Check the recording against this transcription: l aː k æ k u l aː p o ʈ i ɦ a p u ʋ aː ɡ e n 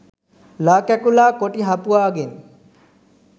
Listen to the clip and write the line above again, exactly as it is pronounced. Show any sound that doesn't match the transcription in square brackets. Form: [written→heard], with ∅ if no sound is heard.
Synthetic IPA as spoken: l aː k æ k u l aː [p→k] o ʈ i ɦ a p u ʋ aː ɡ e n